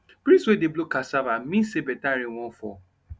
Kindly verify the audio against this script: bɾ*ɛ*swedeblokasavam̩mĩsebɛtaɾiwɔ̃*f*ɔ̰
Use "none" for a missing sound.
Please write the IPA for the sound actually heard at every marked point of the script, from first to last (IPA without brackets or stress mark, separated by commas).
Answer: i, f